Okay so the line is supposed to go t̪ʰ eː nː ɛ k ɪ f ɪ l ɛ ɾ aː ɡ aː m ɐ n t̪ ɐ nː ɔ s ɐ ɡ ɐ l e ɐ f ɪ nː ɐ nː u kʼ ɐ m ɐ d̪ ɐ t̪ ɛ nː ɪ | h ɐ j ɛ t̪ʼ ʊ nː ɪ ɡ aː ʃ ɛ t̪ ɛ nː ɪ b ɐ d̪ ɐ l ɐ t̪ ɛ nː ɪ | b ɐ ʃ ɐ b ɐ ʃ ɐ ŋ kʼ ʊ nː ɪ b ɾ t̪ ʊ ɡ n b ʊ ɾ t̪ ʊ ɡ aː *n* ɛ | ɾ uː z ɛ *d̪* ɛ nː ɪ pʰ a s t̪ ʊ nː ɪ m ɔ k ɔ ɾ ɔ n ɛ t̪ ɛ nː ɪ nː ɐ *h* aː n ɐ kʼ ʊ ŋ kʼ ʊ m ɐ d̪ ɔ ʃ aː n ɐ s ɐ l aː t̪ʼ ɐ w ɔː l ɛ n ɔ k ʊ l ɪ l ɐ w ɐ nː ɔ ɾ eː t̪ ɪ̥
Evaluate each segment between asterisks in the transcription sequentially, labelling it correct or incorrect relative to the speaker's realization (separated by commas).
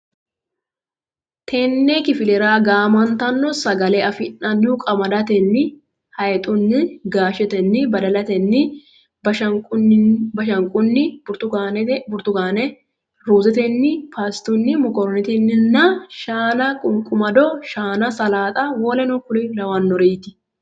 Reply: correct, incorrect, incorrect